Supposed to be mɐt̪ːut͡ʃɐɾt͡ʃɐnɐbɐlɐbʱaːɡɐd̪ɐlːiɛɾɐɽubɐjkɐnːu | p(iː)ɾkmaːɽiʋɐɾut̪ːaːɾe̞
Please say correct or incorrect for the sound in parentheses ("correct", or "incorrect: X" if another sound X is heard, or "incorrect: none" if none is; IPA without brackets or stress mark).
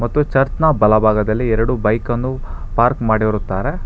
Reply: incorrect: aː